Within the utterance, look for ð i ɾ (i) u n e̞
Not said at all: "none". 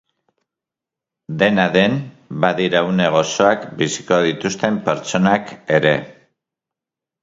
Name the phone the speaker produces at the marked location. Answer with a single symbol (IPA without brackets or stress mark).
a